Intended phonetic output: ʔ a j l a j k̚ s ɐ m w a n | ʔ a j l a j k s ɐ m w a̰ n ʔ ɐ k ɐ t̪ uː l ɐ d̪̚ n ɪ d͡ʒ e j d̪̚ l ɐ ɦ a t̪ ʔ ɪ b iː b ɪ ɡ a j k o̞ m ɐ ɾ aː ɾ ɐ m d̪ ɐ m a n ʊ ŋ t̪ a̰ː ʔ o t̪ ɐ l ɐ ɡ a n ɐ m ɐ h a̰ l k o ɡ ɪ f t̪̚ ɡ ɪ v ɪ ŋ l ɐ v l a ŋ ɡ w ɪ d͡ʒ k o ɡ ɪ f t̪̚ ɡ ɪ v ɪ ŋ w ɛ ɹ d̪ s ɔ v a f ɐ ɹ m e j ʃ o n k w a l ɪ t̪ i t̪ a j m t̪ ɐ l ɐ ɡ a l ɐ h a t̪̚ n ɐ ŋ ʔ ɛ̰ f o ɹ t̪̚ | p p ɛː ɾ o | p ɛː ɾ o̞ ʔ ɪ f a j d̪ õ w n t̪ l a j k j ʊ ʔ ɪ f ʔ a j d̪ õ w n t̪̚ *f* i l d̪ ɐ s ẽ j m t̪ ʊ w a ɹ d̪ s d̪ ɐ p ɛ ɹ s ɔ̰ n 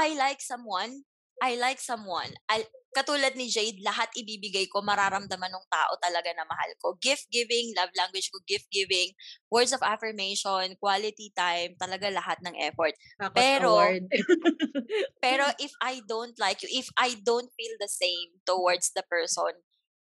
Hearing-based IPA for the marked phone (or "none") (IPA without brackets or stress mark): f